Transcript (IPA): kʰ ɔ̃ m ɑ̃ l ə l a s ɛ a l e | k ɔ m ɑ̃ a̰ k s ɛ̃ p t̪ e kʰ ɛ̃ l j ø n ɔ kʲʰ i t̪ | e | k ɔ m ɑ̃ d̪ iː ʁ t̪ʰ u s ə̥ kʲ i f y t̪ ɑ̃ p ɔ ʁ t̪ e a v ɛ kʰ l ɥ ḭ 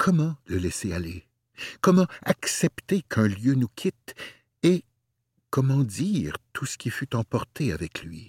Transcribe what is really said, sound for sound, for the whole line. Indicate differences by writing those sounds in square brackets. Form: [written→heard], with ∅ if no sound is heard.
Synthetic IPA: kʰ [ɔ̃→ɔ] m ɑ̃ l ə l [a→ɛ] s [ɛ→e] a l e | k ɔ m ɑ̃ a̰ k s [ɛ̃→ɛ] p t̪ e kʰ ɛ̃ l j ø n [ɔ→u] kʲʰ i t̪ | e | k ɔ m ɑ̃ d̪ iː ʁ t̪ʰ u s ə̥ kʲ i f y t̪ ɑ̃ p ɔ ʁ t̪ e a v ɛ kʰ l ɥ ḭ